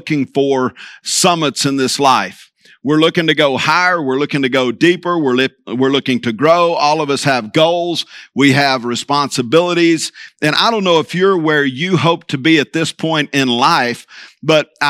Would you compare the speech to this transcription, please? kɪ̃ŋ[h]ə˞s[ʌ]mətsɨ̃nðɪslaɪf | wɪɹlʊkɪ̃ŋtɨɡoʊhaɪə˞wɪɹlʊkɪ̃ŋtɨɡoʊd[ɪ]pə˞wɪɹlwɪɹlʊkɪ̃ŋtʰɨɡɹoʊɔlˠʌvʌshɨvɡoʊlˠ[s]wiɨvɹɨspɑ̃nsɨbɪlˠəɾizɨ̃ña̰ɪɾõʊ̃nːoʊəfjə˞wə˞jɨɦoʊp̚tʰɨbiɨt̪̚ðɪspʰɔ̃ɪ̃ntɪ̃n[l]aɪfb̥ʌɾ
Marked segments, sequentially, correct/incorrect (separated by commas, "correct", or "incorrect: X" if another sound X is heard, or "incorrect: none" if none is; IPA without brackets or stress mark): incorrect: f, correct, incorrect: i, incorrect: z, correct